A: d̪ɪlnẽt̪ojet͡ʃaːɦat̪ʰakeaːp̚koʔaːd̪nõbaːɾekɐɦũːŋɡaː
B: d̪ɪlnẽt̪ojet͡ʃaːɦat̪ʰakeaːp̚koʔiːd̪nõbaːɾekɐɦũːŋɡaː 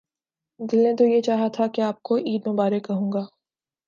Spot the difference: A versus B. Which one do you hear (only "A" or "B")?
B